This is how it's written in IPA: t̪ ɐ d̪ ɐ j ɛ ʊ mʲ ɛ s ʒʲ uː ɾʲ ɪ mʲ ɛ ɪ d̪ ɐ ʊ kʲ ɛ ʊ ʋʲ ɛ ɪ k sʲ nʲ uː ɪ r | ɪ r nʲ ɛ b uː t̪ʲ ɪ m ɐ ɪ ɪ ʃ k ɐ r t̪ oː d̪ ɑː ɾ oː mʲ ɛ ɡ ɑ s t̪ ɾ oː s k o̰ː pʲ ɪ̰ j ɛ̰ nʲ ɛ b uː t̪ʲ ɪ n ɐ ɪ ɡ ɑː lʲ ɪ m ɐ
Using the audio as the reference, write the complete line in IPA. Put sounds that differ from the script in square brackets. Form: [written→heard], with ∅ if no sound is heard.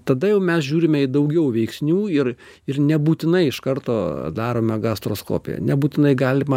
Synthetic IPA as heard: t̪ ɐ d̪ ɐ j ɛ ʊ mʲ ɛ s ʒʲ uː ɾʲ ɪ mʲ ɛ ɪ d̪ ɐ ʊ [kʲ→ɡʲ] ɛ ʊ ʋʲ ɛ ɪ k sʲ nʲ uː ɪ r | ɪ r nʲ ɛ b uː t̪ʲ ɪ [m→n] ɐ ɪ ɪ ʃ k ɐ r t̪ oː d̪ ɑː ɾ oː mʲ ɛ ɡ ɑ s t̪ ɾ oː s k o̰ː pʲ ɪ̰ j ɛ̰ nʲ ɛ b uː t̪ʲ ɪ n ɐ ɪ ɡ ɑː lʲ ɪ m ɐ